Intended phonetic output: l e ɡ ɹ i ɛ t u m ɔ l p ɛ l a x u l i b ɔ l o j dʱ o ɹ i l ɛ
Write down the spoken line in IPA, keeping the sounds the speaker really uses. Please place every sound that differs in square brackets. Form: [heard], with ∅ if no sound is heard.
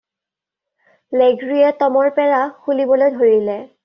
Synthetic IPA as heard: l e ɡ ɹ i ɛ t [ɔ] m ɔ [ɹ] p ɛ [ɹ] a x u l i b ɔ l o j dʱ o ɹ i l ɛ